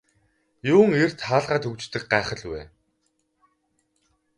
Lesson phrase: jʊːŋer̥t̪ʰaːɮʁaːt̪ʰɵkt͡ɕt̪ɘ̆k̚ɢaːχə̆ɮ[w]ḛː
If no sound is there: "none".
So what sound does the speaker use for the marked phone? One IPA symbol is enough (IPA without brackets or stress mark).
w